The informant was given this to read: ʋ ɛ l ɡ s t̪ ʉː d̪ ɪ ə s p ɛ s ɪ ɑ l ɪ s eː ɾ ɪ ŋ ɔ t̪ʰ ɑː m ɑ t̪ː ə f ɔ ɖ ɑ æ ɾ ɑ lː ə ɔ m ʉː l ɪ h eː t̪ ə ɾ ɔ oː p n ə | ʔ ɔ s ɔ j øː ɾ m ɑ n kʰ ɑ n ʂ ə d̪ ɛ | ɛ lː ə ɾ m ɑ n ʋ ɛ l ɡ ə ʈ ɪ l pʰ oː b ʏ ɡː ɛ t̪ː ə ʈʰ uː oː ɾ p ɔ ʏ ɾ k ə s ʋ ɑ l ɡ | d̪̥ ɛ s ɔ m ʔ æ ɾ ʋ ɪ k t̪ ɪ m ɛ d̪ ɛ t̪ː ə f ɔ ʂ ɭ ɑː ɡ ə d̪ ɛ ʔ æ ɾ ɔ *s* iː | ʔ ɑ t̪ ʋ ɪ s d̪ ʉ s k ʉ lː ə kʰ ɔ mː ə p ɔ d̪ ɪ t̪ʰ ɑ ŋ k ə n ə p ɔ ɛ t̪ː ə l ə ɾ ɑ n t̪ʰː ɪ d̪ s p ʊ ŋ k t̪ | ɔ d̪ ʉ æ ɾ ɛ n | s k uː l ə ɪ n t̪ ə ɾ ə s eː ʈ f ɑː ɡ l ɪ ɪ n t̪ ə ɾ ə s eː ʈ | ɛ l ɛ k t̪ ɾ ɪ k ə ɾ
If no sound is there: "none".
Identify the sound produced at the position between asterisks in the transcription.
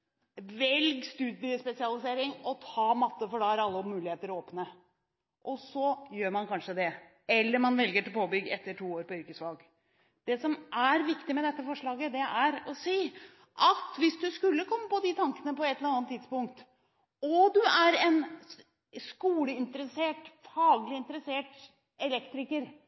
s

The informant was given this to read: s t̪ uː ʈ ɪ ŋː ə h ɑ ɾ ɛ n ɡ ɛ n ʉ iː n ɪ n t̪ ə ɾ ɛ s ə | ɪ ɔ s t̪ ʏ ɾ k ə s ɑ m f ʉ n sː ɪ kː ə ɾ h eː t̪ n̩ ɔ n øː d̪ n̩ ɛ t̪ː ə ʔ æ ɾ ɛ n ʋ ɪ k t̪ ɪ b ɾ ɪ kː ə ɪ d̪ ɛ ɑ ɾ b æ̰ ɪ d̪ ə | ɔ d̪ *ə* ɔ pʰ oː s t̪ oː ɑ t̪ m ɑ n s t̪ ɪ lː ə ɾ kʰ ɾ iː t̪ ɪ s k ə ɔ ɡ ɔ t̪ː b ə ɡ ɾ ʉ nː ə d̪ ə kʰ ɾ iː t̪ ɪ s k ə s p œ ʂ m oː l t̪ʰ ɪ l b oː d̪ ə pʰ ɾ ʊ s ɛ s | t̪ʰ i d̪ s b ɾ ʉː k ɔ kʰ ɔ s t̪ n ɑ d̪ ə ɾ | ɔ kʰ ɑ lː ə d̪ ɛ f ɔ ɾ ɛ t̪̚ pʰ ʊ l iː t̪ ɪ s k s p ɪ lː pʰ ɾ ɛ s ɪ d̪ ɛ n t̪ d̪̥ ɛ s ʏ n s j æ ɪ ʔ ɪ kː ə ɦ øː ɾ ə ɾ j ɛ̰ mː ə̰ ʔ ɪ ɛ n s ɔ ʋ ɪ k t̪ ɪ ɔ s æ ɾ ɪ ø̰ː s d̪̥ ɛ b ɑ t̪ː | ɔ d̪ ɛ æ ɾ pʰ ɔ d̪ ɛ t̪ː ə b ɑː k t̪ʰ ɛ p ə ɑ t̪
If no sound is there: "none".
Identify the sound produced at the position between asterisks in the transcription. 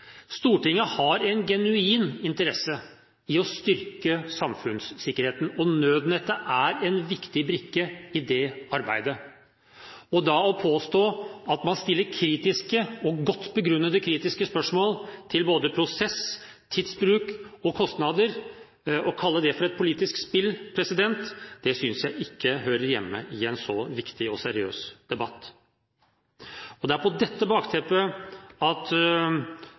ɑ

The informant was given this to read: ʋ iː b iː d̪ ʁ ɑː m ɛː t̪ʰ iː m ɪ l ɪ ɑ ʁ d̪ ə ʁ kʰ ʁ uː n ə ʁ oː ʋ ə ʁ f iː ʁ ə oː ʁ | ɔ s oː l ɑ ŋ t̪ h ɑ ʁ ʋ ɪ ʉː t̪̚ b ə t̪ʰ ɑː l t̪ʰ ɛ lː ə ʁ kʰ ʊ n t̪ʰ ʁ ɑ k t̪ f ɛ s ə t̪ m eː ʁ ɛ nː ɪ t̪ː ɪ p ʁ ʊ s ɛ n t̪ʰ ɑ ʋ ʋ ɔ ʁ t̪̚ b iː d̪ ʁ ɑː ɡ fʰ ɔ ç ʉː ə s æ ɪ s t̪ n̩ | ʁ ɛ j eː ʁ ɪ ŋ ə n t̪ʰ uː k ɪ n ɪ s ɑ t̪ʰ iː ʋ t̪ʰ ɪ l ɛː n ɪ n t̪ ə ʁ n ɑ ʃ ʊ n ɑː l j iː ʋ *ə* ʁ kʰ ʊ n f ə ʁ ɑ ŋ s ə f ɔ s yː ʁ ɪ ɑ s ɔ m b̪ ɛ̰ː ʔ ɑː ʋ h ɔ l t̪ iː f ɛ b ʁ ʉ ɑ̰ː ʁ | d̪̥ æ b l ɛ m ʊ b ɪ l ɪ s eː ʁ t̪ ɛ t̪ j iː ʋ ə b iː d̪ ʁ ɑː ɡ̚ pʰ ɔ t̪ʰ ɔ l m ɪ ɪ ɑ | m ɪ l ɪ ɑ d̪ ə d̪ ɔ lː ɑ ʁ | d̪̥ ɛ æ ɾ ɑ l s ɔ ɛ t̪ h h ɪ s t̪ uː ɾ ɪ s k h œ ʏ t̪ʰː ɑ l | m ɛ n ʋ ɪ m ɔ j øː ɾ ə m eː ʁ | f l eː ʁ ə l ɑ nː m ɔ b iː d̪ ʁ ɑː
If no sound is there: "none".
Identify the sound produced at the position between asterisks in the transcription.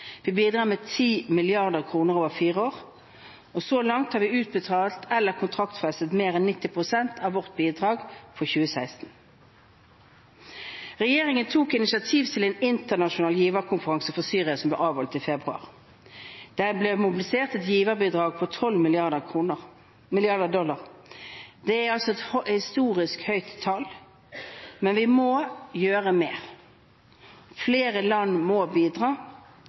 ə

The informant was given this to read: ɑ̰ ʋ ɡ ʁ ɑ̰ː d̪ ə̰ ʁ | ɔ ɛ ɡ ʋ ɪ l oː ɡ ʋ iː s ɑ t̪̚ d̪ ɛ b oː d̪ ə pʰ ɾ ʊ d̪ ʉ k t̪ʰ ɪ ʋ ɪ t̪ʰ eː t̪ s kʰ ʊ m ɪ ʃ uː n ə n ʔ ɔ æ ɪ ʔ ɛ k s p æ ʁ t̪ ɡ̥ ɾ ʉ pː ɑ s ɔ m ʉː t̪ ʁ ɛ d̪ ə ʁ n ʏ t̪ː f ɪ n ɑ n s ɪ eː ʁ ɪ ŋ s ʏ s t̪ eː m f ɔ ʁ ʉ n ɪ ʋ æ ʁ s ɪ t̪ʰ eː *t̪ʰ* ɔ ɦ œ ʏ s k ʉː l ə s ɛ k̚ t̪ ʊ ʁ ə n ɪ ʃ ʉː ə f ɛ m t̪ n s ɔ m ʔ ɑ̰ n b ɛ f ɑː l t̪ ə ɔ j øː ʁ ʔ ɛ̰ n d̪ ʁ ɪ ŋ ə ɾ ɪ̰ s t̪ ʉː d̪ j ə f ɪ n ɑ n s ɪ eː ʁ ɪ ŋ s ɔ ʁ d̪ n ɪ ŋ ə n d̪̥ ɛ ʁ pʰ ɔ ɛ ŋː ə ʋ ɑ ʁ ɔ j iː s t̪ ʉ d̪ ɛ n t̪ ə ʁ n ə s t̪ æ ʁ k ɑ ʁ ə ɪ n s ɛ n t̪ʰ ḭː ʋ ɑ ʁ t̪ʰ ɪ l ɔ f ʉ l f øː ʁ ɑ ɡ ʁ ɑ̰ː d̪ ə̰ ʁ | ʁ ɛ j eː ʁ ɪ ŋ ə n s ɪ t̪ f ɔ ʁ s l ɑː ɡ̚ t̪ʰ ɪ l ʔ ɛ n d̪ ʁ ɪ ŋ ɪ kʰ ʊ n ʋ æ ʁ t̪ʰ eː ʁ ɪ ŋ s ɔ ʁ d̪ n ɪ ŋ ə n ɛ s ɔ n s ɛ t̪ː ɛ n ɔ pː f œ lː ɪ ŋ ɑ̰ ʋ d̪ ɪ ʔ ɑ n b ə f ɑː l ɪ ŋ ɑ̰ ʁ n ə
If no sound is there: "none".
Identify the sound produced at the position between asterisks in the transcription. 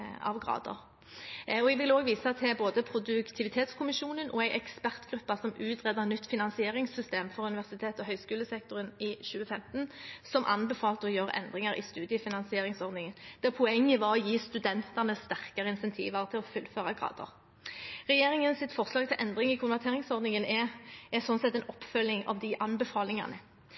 t̪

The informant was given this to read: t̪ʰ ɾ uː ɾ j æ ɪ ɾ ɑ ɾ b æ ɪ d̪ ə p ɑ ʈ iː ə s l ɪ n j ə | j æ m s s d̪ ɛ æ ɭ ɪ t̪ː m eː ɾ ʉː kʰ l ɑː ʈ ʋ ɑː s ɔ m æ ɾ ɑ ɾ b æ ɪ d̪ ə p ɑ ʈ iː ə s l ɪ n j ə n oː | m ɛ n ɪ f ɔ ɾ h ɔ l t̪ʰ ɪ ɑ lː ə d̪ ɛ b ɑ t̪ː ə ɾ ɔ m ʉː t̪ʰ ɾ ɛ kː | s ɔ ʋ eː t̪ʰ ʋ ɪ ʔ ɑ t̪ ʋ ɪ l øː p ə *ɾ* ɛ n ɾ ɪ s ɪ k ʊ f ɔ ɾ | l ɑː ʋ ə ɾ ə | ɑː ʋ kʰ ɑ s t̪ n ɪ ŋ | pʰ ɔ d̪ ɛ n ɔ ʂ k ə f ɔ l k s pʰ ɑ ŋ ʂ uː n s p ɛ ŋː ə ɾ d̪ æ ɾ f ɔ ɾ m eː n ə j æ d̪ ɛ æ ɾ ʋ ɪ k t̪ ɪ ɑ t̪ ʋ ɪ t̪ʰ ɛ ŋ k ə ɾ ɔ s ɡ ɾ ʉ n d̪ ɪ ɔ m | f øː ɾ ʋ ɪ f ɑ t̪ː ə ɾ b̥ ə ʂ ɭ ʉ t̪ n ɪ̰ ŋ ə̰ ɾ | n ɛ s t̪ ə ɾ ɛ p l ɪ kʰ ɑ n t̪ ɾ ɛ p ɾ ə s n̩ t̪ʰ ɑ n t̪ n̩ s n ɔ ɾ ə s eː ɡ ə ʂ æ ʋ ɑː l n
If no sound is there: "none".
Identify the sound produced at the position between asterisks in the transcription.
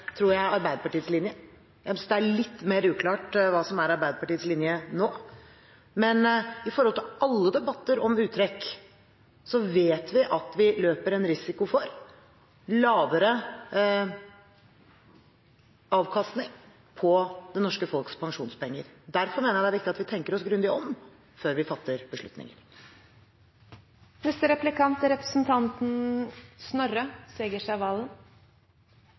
ɾ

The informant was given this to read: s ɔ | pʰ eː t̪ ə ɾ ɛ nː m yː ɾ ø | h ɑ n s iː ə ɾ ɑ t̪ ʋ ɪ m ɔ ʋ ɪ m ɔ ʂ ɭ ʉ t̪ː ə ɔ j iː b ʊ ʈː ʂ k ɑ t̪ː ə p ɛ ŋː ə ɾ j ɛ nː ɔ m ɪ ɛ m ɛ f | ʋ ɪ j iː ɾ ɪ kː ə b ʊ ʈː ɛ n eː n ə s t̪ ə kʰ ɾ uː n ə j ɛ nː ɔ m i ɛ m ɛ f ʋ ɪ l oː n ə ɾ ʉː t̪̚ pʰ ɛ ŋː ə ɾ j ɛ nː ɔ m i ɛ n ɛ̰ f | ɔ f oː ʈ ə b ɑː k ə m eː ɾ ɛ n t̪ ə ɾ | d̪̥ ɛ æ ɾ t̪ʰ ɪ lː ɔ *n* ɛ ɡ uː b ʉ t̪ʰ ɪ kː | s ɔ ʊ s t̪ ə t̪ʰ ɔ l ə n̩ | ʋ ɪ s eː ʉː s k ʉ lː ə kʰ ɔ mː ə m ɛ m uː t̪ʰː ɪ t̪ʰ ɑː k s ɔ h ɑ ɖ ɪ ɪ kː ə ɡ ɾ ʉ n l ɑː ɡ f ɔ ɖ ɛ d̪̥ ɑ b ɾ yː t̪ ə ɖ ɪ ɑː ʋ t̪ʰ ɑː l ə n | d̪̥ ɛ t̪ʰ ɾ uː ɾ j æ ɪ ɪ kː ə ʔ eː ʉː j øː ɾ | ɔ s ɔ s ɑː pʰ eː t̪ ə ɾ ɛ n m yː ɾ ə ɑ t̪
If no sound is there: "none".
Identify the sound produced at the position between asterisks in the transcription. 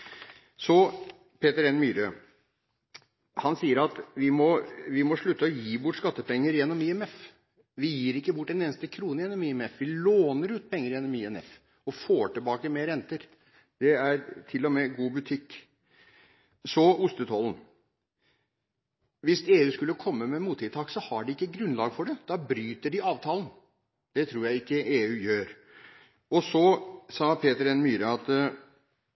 m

